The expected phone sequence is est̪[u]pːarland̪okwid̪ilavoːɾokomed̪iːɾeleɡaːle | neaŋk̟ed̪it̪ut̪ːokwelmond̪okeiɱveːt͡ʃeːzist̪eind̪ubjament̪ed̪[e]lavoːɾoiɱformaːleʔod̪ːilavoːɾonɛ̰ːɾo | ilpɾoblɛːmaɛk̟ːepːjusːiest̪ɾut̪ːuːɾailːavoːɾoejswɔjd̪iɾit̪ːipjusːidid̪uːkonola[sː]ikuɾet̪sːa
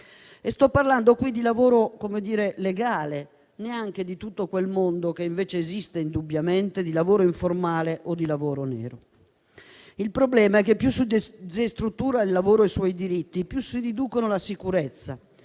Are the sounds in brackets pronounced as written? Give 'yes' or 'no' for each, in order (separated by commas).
no, no, no